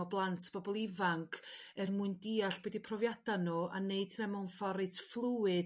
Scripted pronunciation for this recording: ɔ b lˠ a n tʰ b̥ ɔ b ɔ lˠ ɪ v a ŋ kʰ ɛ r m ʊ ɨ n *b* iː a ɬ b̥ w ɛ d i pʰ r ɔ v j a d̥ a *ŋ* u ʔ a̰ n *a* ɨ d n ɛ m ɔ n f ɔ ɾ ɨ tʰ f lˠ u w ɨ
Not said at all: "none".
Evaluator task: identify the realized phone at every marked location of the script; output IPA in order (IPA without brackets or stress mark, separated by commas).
d, n, e